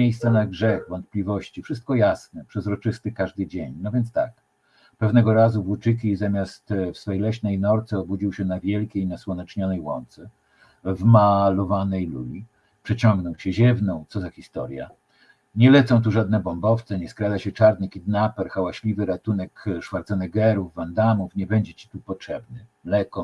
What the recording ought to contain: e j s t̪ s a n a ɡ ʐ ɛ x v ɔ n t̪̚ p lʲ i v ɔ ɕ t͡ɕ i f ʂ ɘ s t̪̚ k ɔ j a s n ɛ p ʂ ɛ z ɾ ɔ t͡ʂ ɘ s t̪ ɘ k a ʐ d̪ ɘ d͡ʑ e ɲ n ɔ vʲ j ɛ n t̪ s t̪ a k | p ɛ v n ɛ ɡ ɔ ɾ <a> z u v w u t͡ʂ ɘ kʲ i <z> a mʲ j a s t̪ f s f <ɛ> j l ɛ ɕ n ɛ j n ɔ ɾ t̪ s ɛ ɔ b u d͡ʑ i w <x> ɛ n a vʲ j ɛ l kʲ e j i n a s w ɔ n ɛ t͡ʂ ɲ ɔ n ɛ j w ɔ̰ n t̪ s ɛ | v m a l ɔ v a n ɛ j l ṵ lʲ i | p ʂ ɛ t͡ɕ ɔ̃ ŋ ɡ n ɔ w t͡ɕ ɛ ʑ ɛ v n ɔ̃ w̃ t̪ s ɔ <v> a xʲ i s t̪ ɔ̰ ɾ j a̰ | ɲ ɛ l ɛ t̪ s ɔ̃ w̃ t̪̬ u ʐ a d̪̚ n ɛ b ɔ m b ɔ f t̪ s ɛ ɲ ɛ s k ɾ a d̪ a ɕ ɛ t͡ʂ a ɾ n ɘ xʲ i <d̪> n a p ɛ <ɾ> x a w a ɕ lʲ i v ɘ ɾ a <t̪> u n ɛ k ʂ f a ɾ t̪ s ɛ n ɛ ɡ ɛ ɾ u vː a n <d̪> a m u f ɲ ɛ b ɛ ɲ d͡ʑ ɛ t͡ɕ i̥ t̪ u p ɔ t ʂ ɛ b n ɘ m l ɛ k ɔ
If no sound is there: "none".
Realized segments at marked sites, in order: a, z, ɛ, ɕ, z, d̪, ɾ, t̪, d̪

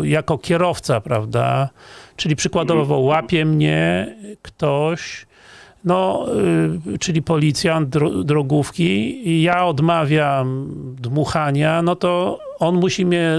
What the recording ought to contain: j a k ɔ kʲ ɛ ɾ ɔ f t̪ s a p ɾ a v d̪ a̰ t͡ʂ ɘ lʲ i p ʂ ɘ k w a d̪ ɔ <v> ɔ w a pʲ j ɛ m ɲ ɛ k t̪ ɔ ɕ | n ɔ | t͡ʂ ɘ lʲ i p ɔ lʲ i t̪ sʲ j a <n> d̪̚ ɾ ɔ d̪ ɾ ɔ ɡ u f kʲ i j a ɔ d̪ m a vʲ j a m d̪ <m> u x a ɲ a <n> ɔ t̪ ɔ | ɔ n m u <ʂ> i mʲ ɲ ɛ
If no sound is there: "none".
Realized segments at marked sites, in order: v, n, m, n, ɕ

